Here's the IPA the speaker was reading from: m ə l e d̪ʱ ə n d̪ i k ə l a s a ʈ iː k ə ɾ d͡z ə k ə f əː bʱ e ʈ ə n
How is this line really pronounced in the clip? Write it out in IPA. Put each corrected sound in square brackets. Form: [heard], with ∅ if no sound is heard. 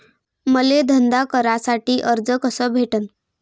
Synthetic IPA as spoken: m ə l e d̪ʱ ə n d̪ [a] k ə [ɾ] a s a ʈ iː [ʔ] ə ɾ d͡z ə k ə [s] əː bʱ e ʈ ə n